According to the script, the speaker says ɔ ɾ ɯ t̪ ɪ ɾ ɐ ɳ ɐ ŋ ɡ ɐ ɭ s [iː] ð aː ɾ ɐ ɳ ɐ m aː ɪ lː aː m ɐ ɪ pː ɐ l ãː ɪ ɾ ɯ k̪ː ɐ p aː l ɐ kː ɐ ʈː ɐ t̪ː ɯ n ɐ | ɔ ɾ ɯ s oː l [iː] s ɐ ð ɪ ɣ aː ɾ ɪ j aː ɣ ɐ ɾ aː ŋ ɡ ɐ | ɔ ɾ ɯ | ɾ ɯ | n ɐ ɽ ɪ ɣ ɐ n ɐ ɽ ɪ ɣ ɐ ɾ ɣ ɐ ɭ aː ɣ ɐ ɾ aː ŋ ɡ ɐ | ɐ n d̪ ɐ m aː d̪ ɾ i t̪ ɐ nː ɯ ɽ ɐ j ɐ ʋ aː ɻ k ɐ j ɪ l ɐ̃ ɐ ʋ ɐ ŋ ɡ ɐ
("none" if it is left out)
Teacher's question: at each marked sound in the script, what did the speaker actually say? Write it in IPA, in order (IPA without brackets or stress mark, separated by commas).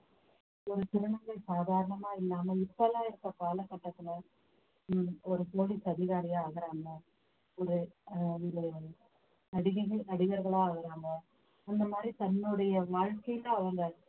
aː, i